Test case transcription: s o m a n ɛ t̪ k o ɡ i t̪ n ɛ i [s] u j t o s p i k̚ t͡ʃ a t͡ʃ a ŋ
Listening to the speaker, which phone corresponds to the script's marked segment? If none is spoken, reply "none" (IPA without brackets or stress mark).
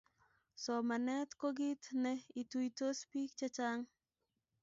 t